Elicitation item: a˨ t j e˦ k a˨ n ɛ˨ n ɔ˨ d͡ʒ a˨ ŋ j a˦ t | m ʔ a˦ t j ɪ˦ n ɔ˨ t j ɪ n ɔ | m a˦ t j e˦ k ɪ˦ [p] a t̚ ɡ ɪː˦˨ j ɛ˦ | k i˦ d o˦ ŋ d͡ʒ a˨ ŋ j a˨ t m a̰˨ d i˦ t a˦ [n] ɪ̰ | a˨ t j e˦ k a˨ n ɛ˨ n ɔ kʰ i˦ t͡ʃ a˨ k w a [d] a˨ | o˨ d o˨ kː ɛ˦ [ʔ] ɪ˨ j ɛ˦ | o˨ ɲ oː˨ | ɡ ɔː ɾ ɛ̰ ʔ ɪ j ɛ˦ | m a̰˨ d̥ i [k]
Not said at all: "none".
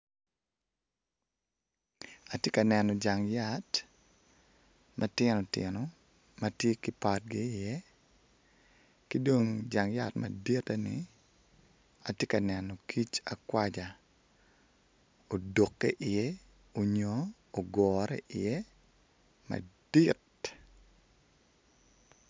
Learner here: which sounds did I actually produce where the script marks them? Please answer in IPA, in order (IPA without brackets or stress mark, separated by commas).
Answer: p, n, d͡ʒ, ʔ, t